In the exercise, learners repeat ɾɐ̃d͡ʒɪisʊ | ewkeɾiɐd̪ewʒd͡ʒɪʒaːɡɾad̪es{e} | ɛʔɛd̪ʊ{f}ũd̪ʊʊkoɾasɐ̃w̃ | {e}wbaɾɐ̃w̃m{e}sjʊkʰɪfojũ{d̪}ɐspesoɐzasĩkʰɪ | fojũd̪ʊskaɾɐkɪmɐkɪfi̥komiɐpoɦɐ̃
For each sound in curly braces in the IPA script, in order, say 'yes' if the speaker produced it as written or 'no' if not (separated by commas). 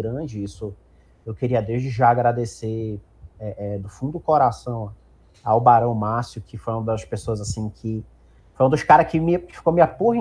yes, yes, no, no, yes